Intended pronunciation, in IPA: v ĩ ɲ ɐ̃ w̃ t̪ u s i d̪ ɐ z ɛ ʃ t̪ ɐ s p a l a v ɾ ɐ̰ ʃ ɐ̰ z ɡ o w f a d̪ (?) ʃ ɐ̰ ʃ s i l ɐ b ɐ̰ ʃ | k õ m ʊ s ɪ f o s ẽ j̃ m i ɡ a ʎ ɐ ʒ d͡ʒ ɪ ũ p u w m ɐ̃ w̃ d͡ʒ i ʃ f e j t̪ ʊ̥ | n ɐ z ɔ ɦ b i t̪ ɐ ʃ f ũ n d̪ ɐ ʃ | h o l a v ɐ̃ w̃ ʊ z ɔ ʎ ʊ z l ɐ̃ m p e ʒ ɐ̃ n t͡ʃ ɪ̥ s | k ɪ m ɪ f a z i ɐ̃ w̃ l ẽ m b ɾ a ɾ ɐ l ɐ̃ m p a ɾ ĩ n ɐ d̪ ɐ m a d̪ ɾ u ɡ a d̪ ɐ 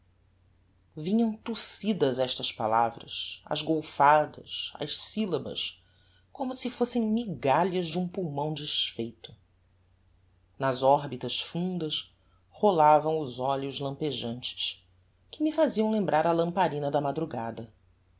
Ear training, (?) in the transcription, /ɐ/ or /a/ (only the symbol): ɐ